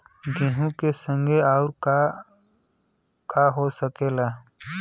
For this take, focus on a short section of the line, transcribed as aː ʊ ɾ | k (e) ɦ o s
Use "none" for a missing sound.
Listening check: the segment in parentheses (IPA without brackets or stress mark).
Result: a